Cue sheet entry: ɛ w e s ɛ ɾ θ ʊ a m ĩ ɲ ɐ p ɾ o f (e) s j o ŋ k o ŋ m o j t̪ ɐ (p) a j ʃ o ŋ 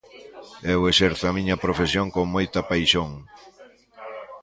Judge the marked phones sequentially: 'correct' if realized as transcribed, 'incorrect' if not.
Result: correct, correct

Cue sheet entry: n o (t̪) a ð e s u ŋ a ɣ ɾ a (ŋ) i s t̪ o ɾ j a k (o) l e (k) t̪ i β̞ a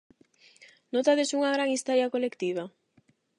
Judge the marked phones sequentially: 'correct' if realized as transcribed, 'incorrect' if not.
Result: correct, correct, correct, correct

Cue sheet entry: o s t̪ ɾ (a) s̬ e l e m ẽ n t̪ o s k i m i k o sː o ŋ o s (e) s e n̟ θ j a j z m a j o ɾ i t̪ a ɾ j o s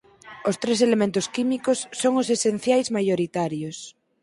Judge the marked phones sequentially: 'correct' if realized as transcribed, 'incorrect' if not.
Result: incorrect: e, correct

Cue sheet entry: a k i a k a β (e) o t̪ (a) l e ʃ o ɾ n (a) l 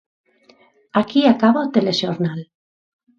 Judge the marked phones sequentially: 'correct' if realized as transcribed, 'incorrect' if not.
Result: incorrect: a, incorrect: e, correct

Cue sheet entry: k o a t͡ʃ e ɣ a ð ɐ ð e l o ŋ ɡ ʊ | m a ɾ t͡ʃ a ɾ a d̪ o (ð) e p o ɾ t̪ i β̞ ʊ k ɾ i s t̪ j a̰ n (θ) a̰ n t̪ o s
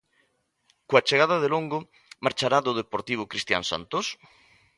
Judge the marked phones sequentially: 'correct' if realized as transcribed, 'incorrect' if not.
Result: correct, incorrect: s

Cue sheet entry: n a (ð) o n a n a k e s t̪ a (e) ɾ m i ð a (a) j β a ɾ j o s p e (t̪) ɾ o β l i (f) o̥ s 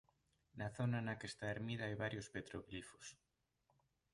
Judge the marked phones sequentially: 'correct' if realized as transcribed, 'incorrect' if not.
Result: incorrect: θ, correct, correct, correct, correct

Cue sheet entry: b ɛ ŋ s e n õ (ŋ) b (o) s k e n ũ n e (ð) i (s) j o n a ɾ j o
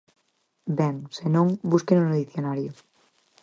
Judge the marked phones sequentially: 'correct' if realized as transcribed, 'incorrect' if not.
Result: correct, incorrect: u, correct, incorrect: θ

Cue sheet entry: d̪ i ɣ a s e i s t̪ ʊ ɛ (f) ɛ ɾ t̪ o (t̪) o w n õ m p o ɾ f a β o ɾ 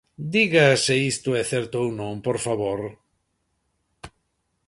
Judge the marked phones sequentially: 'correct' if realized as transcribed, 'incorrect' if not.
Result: incorrect: θ, incorrect: none

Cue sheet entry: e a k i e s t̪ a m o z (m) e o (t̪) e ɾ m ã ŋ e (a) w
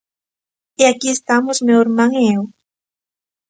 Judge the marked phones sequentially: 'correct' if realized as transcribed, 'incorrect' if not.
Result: correct, incorrect: none, incorrect: e

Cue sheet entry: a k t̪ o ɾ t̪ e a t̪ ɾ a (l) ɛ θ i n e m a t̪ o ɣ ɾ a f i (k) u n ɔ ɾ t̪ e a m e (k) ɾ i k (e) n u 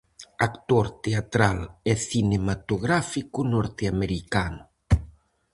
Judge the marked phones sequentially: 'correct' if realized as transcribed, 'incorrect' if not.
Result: correct, correct, incorrect: none, incorrect: a

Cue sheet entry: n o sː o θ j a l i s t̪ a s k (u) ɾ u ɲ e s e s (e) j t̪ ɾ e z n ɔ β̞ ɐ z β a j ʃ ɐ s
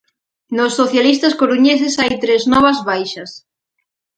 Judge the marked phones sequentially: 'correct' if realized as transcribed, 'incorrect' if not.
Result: incorrect: o, incorrect: a

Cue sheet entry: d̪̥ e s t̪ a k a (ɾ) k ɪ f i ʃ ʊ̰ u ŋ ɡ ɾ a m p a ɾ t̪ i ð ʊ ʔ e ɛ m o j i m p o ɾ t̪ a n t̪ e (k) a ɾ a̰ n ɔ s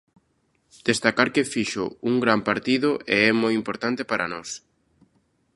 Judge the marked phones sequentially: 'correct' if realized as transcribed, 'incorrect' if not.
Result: correct, incorrect: p

